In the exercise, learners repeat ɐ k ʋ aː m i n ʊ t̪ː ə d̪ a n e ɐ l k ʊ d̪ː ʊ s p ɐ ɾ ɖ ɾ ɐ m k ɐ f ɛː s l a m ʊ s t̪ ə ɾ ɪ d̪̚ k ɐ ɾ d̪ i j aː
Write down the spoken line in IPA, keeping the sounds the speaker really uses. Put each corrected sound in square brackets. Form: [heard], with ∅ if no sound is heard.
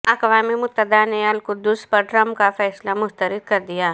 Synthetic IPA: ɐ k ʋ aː m i [m] ʊ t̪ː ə d̪ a n e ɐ l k ʊ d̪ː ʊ s p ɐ ɾ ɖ ɾ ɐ m k [a] f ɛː s l a m ʊ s t̪ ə ɾ ɪ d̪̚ k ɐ ɾ d̪ i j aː